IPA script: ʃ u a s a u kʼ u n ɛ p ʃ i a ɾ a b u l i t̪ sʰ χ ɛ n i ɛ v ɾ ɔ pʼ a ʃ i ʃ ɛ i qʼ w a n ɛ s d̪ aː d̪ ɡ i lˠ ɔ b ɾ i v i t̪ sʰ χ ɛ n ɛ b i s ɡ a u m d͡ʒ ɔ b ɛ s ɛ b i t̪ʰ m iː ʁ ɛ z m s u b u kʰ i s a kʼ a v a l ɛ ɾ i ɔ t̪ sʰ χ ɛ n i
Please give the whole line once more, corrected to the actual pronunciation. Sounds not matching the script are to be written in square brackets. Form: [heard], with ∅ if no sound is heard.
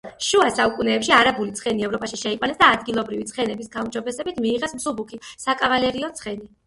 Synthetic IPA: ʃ u a s a u kʼ u n [ɛː] p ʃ i a ɾ a b u l i t̪ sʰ χ ɛ n i ɛ v ɾ ɔ pʼ a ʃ i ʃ ɛ i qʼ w a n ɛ s d̪ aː d̪ ɡ i lˠ ɔ b ɾ i v i t̪ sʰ χ ɛ n ɛ b i s ɡ a u m d͡ʒ ɔ b ɛ s ɛ b i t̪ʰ m iː ʁ ɛ [s] m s u b u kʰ i s a kʼ a v a l ɛ ɾ i ɔ t̪ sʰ χ ɛ n i